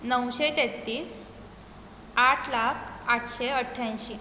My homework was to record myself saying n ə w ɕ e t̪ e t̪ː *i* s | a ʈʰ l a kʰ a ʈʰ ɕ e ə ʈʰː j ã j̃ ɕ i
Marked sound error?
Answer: yes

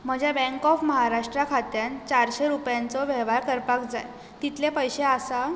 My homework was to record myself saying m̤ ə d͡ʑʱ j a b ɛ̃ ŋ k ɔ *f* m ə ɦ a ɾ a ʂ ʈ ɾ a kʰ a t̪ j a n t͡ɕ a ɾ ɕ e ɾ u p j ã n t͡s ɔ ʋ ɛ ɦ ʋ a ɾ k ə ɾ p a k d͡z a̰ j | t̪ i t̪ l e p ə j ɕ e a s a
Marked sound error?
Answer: no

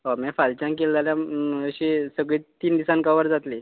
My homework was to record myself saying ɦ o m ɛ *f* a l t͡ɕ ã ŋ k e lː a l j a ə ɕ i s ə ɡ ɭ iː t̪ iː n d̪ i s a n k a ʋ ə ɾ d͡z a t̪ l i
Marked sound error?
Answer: no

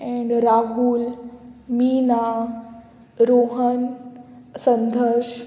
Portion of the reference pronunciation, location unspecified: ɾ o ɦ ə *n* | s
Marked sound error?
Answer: no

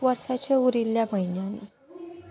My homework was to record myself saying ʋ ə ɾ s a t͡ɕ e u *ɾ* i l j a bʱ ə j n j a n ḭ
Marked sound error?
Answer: no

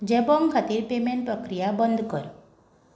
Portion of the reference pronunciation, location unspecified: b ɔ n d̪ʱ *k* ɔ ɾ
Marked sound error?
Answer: no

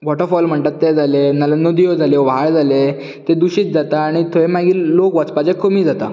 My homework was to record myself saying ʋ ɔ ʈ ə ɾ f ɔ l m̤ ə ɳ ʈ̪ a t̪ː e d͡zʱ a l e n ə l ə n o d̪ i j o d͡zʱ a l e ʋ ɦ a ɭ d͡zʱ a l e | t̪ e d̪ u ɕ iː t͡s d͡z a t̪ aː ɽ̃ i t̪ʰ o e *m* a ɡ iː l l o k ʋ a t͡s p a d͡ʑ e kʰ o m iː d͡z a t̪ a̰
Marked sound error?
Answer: no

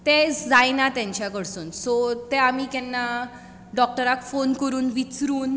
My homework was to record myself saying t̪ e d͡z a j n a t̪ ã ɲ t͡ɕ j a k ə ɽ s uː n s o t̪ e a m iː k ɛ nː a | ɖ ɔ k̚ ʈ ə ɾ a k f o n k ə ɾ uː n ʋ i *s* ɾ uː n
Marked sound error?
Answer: yes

